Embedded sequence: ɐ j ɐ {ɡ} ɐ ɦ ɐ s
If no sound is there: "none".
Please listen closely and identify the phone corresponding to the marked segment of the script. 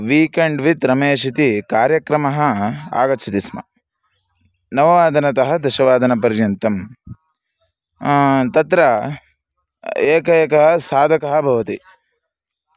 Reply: k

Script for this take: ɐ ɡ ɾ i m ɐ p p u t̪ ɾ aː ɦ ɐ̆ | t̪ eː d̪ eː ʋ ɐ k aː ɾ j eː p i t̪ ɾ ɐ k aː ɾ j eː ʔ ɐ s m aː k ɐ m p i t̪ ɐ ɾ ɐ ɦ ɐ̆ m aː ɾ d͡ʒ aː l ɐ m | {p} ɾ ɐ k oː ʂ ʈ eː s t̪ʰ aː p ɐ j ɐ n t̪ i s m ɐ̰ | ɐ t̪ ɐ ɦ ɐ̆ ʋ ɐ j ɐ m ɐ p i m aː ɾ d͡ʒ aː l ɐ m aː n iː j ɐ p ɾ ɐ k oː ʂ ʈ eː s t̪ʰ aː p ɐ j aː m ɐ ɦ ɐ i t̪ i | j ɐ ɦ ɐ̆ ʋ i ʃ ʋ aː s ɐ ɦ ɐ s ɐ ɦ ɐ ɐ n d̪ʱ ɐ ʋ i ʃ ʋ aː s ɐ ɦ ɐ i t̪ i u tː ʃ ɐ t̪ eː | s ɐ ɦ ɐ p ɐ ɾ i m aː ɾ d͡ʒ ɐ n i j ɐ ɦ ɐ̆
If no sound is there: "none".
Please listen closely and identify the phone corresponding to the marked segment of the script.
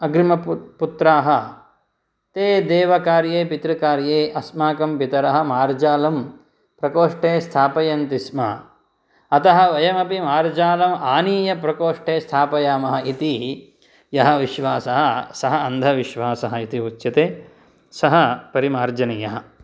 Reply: p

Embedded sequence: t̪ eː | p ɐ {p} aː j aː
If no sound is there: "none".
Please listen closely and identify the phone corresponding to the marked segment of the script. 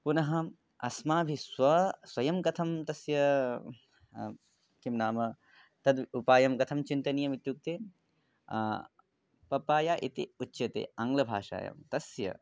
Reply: p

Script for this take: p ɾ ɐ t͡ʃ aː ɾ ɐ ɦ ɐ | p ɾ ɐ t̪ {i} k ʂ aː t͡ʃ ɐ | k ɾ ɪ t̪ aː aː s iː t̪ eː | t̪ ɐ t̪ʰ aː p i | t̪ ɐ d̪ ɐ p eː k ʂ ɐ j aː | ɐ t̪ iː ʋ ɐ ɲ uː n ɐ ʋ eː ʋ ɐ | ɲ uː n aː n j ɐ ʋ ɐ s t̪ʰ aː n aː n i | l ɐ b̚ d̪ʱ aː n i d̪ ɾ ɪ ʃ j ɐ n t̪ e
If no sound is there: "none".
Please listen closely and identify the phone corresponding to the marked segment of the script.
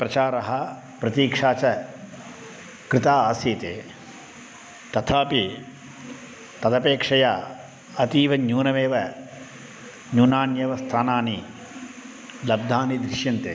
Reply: iː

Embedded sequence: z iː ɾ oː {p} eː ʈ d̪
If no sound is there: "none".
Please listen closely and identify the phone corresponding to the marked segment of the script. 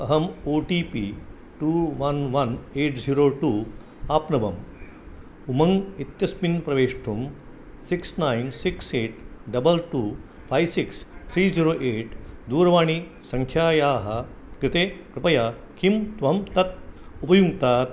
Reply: ʔ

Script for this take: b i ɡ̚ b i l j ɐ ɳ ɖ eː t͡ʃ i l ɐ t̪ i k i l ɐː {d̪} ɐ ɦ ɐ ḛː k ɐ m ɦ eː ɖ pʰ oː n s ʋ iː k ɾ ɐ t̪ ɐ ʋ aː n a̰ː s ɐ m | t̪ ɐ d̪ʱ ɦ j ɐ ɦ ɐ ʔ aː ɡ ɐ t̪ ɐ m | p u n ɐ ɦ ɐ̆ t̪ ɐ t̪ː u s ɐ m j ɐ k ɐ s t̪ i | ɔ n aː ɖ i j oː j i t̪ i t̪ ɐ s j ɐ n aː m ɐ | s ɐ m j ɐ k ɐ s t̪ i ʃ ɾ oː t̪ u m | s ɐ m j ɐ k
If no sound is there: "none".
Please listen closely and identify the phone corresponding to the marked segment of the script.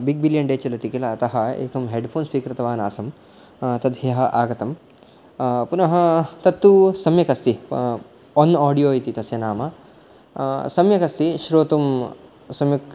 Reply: t̪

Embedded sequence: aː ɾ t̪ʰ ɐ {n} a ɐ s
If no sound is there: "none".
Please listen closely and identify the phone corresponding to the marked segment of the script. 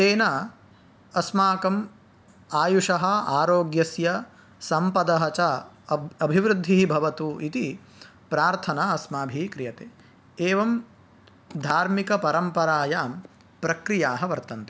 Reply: n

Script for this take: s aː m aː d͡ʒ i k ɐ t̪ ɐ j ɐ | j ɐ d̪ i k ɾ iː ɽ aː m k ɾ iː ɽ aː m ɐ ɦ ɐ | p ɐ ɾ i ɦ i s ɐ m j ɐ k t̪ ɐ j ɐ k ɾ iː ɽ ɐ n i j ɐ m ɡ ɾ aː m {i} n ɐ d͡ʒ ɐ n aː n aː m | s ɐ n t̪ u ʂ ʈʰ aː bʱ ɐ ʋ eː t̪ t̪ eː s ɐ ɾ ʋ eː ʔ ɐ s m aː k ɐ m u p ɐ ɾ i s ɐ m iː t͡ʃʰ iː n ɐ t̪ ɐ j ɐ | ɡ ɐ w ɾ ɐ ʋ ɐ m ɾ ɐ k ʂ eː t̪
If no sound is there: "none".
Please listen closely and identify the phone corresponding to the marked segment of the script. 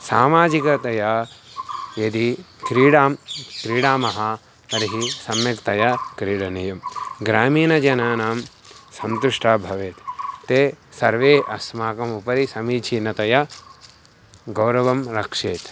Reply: iː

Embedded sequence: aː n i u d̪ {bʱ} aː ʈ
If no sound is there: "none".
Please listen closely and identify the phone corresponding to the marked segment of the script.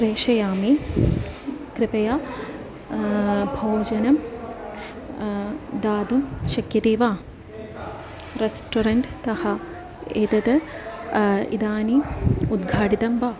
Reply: ɡʱ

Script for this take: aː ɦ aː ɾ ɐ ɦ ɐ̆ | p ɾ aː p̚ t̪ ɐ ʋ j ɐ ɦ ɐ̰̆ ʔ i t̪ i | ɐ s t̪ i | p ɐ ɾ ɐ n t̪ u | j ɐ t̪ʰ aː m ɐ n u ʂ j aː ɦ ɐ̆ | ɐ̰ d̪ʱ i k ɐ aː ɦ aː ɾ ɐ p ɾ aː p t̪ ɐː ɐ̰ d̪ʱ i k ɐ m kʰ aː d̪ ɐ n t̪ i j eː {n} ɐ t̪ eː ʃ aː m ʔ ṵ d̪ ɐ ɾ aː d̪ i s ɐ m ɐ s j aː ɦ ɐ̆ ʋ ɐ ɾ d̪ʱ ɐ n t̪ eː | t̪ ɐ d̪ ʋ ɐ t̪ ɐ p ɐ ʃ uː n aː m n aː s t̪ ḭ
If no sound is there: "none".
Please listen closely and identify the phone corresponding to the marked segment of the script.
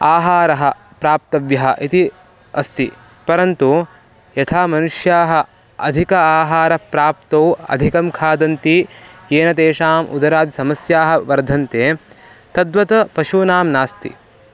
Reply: n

